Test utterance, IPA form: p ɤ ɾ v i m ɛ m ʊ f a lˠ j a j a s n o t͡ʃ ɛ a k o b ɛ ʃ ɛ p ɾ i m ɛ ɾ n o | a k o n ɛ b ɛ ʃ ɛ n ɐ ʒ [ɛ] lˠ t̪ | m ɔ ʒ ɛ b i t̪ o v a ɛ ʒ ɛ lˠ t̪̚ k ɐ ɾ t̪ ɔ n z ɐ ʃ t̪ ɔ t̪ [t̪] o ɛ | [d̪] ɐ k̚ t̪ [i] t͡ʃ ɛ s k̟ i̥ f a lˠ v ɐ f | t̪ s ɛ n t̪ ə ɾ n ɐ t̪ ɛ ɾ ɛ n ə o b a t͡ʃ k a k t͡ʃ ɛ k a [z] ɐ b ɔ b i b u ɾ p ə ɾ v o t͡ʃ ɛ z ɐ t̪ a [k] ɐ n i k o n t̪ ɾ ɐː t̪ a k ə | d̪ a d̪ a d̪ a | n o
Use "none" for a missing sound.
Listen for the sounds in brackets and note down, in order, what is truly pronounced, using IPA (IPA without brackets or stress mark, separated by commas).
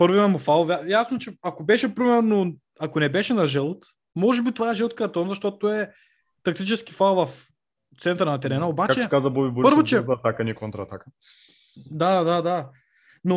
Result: ɛ, t̪, t̪, i, z, k